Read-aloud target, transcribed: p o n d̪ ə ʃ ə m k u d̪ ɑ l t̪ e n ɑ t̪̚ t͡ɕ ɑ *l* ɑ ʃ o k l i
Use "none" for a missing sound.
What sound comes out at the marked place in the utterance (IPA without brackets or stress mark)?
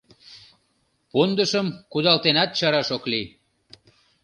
ɾ